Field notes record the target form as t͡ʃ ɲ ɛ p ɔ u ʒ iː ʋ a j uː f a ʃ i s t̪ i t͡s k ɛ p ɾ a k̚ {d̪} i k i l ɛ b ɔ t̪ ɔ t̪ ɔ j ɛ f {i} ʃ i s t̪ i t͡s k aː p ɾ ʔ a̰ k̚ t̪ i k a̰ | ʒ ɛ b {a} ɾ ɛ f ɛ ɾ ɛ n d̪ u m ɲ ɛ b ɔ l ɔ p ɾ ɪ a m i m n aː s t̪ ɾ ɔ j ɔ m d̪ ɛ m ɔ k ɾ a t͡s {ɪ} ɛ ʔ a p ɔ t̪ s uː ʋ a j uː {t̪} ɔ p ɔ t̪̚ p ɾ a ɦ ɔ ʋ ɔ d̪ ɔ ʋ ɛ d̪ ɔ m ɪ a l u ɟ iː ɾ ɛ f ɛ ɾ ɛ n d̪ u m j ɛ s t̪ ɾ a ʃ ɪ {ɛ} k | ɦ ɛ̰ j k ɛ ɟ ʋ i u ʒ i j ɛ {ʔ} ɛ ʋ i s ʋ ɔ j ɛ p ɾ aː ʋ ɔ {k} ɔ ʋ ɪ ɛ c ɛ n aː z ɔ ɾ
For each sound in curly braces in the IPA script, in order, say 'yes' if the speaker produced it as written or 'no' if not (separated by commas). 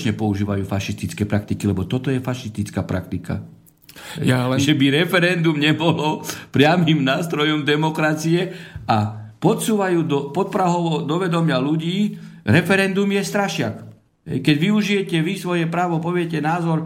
no, no, no, no, no, no, no, no